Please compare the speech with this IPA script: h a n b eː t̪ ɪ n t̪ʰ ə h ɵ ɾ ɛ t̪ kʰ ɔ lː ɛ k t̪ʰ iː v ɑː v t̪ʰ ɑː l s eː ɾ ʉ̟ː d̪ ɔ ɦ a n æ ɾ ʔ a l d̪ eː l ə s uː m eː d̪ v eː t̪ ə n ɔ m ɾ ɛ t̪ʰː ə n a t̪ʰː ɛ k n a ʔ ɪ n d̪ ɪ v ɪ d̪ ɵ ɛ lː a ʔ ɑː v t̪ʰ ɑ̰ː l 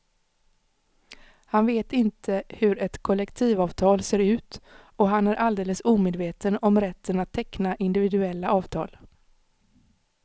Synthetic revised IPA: h a n v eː t̪ ɪ n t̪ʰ ə h ɵ ɾ ɛ t̪ kʰ ɔ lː ɛ k t̪ʰ iː v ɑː v t̪ʰ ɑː l s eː ɾ ʉ̟ː t̪ ɔ ɦ a n æ ɾ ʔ a l d̪ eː l ə s uː m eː d̪ v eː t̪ ə n ɔ m ɾ ɛ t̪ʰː ə n a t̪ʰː ɛ k n a ʔ ɪ n d̪ ɪ v ɪ d̪ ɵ ɛ lː a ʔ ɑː v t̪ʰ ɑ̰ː l